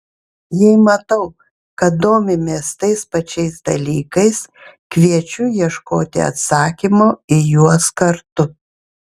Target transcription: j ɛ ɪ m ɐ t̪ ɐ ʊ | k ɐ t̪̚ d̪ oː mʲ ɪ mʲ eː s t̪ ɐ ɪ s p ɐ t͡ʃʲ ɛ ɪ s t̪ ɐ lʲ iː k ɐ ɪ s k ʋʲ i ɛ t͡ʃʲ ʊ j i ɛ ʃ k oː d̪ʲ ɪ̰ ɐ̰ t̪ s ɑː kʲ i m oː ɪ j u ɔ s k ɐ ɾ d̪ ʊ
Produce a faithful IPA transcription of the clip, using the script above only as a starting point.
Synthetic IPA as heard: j ɛ ɪ m ɐ t̪ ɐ ʊ | k ɐ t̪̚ d̪ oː mʲ ɪ mʲ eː s t̪ ɐ ɪ s p ɐ t͡ʃʲ ɛ ɪ s d̪ ɐ lʲ iː k ɐ ɪ s k ʋʲ i ɛ t͡ʃʲ ʊ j i ɛ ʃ k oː t̪ʲ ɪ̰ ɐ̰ t̪ s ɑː kʲ i m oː ɪ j u ɔ s k ɐ ɾ t̪ ʊ